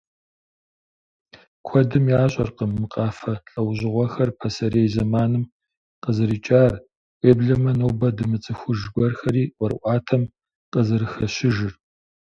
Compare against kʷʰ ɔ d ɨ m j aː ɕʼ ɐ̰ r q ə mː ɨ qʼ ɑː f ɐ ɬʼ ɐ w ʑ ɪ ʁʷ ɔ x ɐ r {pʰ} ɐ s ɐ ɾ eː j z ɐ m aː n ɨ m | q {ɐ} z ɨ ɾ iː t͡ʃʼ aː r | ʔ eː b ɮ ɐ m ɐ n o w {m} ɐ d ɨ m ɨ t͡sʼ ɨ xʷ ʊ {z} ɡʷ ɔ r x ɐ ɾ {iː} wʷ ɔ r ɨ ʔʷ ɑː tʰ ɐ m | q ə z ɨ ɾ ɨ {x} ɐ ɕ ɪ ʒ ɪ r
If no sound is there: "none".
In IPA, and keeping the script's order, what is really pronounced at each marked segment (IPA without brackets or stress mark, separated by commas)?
pʰ, ə, b, ʒ, iː, x